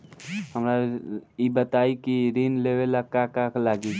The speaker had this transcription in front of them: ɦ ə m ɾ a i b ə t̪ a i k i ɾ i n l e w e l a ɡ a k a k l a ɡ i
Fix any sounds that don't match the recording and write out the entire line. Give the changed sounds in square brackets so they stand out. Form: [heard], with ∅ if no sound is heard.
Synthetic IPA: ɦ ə m ɾ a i b ə t̪ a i k i ɾ i n l e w e l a [k] a k a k l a ɡ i